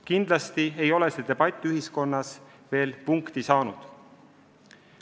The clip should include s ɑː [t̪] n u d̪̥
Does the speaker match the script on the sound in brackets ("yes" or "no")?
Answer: no